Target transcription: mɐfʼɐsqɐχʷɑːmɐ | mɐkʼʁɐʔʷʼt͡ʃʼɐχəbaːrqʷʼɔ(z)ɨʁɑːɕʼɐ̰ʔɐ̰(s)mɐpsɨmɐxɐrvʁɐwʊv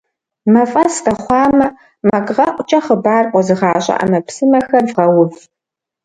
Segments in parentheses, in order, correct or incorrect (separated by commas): correct, incorrect